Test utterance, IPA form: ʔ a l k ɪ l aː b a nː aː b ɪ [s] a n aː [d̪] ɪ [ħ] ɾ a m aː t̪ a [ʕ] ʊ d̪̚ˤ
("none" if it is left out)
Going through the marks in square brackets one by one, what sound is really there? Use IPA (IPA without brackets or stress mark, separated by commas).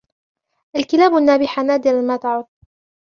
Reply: ħ, d̪, none, ʕ